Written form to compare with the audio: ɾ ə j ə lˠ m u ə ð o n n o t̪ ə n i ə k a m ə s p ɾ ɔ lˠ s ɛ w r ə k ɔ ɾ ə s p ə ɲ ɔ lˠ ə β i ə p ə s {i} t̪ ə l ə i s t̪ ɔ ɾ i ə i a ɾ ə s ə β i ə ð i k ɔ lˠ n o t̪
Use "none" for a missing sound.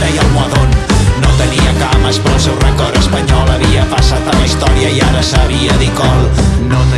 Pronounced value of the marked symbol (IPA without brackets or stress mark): a